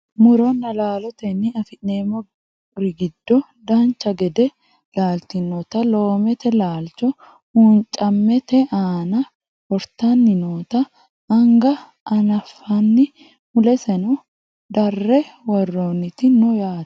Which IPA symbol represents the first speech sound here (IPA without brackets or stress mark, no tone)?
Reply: m